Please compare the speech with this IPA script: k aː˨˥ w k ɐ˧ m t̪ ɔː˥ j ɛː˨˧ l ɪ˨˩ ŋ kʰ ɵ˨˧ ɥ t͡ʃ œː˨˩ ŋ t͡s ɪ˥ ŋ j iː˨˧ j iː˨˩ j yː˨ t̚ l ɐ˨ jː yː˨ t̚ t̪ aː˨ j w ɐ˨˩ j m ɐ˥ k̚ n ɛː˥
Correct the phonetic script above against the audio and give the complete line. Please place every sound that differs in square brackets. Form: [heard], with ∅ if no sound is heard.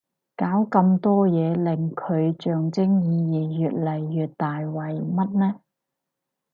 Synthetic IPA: k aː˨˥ w k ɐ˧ m t̪ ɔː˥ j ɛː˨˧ l ɪ˨˩ ŋ kʰ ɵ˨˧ ɥ t͡ʃ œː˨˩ ŋ t͡s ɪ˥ ŋ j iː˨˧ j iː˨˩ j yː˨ t̚ l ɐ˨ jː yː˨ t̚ t̪ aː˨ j w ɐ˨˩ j m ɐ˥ [t̚] n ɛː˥